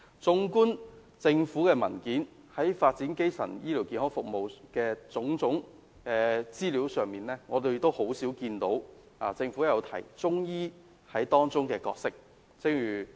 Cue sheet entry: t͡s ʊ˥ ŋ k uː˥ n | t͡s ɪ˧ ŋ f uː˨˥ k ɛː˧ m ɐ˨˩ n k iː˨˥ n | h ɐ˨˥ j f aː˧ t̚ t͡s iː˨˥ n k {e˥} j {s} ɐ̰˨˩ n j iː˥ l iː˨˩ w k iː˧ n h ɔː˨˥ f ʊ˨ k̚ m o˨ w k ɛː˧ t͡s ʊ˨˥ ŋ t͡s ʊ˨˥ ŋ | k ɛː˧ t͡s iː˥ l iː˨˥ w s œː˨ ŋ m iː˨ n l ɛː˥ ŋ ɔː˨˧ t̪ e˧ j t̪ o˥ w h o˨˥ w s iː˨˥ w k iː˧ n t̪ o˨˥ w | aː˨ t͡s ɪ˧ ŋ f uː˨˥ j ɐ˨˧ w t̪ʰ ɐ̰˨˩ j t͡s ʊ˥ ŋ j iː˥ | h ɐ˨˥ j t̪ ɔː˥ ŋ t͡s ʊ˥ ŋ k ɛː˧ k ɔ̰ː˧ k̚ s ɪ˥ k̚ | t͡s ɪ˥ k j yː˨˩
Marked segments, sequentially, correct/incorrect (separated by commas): correct, correct